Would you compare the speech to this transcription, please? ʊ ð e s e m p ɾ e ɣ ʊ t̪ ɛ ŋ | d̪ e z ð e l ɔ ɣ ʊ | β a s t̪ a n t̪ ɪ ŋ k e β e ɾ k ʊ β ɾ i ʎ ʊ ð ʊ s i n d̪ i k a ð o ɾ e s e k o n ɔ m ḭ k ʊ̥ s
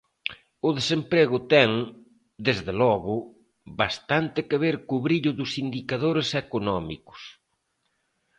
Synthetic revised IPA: ʊ ð e s e m p ɾ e ɣ ʊ t̪ ɛ ŋ | d̪ e z ð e l ɔ ɣ ʊ | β a s t̪ a n t̪ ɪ k e β e ɾ k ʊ β ɾ i ʎ ʊ ð ʊ s i n d̪ i k a ð o ɾ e s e k o n ɔ m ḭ k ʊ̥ s